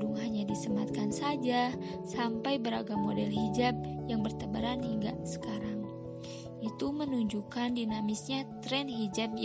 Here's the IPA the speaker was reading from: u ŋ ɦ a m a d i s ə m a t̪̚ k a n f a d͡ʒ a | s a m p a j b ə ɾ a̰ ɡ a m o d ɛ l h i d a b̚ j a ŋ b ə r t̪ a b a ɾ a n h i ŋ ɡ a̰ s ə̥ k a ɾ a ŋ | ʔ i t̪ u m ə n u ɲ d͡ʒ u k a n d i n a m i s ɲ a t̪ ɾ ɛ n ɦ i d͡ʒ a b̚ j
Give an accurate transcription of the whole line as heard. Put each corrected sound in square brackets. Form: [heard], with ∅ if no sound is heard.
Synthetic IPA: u ŋ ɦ a [ɲ] a d i s ə m a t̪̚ k a n [s] a d͡ʒ a | s a m p a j b ə ɾ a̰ ɡ a m o d ɛ l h i [d͡ʒ] a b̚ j a ŋ b ə r t̪ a b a ɾ a n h i ŋ ɡ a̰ s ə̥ k a ɾ a ŋ | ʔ i t̪ u m ə n u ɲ d͡ʒ u k a n d i n a m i s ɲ a t̪ ɾ ɛ n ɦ i d͡ʒ a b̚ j